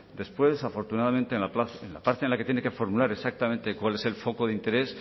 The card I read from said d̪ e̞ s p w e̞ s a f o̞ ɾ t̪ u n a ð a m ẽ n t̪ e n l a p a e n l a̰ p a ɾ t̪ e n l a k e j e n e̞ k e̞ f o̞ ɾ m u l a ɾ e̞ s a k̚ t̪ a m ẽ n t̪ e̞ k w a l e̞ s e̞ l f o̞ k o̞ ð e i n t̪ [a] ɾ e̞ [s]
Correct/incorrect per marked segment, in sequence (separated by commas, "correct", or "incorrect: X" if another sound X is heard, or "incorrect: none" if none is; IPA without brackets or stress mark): incorrect: e, correct